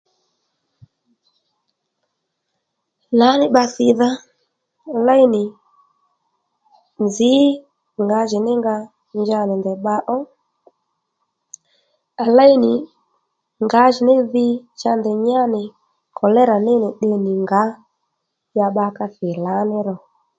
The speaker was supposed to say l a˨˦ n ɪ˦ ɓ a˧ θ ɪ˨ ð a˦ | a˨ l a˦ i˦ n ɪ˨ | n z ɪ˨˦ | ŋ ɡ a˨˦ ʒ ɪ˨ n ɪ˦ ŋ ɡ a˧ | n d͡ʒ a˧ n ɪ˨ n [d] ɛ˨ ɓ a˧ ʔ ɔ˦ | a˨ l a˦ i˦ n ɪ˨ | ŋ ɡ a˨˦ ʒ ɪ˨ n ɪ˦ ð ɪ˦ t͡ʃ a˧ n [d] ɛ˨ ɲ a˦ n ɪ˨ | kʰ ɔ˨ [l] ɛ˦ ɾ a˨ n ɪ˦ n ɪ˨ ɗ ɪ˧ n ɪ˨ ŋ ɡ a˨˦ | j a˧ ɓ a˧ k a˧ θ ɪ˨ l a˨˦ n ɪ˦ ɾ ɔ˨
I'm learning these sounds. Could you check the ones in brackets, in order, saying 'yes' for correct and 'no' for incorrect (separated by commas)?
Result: yes, yes, yes